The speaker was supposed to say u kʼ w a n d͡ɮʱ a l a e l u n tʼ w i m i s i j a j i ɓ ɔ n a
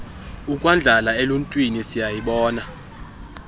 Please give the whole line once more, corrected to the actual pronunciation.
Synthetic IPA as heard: u kʼ w a n d͡ɮʱ a l a e l u n tʼ w i n i s i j a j i ɓ ɔː n a